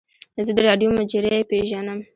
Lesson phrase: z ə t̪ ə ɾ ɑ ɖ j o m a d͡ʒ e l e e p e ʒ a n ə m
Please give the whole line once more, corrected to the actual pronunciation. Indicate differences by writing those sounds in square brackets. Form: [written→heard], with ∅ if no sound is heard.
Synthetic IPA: z ə [t̪→d̪] ə ɾ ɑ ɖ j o m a d͡ʒ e [l→ɾ] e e p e ʒ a n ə m